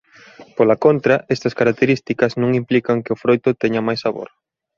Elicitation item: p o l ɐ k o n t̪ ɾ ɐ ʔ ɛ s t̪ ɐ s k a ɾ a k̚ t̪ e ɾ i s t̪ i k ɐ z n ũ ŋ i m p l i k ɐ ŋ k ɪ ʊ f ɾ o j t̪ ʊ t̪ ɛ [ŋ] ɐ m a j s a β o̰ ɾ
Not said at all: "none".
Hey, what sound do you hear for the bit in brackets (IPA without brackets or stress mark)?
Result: ɲ